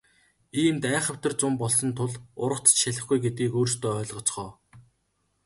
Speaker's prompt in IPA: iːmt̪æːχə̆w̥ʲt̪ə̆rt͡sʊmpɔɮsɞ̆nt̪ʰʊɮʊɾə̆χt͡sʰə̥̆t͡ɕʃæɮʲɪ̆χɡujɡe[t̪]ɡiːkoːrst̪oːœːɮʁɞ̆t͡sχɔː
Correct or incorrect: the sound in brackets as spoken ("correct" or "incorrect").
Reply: correct